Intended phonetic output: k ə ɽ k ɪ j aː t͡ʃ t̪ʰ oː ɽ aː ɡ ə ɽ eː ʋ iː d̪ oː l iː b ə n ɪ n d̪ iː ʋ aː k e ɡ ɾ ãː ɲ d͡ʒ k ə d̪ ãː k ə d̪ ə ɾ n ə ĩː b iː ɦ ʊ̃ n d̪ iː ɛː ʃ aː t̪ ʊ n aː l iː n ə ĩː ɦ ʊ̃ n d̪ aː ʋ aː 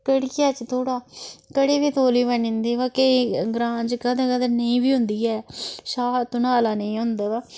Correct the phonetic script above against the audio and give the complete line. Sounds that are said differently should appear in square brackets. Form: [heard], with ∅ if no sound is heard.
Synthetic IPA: k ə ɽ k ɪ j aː t͡ʃ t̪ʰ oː ɽ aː [k] ə ɽ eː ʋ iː [t̪] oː l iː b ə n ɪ n d̪ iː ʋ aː k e ɡ ɾ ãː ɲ d͡ʒ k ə d̪ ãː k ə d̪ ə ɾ n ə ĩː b iː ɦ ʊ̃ n d̪ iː ɛː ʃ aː t̪ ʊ n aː l [aː] n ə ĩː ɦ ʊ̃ n d̪ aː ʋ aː